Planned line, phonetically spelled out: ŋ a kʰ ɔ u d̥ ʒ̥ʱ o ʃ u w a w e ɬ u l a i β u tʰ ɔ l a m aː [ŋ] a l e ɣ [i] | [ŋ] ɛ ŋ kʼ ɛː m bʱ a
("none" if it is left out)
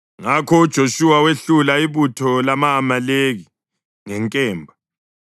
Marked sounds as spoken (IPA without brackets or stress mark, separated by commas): m, i, ŋ